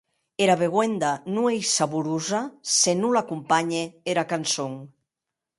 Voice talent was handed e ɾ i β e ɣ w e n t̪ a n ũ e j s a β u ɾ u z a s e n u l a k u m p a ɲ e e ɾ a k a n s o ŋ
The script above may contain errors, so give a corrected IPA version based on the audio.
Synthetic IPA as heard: e ɾ a β e ɣ w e n d̪ a n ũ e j s a β u ɾ u z a s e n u l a k u m p a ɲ e e ɾ a k a n s o ŋ